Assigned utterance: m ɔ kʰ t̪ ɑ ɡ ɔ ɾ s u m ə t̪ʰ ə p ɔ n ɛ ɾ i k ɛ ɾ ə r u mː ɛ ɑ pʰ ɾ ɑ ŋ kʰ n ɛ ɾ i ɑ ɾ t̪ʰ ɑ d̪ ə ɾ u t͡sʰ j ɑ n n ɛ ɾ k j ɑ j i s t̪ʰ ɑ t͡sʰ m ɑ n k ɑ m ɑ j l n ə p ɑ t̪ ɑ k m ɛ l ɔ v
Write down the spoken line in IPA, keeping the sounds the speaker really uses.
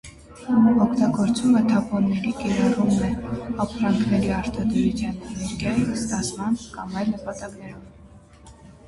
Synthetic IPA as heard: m ɔ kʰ t̪ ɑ ɡ ɔ ɾ t͡s u m ə t̪ʰ ɑ p ɔ nː ɛ ɾ i k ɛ ɾ ɑ r u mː ɛ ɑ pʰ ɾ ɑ ŋ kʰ n ɛ ɾ i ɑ ɾ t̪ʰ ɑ d̪ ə ɾ u t͡sʰ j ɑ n n ɛ ɾ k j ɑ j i s t̪ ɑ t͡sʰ m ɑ n k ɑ m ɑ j l n ə p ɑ t̪ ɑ k n ɛ ɾ ɔ v